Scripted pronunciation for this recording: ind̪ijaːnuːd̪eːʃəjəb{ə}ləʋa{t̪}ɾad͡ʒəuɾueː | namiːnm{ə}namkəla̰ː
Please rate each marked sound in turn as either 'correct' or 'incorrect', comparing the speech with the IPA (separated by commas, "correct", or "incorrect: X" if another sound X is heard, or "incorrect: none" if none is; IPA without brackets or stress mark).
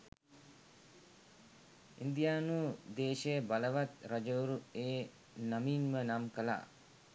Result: incorrect: a, correct, correct